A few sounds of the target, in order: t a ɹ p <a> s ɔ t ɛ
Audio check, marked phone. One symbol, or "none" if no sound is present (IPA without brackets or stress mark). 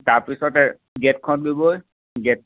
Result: i